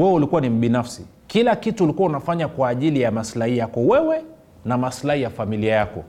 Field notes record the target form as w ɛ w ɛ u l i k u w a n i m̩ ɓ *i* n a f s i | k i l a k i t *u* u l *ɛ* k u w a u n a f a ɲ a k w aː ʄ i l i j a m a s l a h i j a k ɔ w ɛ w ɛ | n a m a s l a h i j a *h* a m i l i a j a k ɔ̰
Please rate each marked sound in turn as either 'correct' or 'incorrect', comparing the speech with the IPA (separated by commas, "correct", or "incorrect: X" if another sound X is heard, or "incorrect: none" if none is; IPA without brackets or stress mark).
correct, correct, incorrect: i, incorrect: f